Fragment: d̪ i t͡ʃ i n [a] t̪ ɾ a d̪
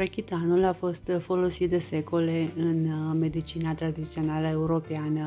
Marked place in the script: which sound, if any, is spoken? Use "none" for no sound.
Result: a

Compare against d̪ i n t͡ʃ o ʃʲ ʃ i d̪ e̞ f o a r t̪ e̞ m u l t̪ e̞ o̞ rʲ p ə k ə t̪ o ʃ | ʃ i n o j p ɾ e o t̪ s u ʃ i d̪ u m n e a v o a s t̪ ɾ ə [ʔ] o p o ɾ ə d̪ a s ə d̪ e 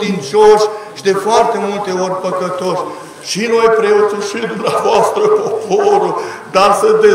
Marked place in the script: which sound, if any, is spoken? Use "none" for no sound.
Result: p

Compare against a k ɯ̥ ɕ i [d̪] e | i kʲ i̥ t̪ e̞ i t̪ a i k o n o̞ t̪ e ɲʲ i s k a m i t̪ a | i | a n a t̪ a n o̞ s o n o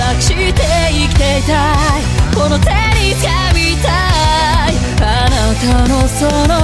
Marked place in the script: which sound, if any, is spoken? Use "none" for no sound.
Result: t̪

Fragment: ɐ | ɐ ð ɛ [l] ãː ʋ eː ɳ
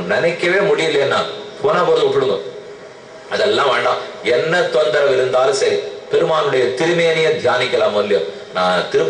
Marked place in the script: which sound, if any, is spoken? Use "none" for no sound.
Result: lː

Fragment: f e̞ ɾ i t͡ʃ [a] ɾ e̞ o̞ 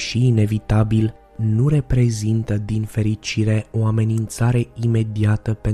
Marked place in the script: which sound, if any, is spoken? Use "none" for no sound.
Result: i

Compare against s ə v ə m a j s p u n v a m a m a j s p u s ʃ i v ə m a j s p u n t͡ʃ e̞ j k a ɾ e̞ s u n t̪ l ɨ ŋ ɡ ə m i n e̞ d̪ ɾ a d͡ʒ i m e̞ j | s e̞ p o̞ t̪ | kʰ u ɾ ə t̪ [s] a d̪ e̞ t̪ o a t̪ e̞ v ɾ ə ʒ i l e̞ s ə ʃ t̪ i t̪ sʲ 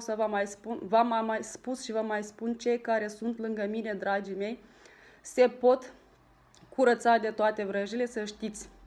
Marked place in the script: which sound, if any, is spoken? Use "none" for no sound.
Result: s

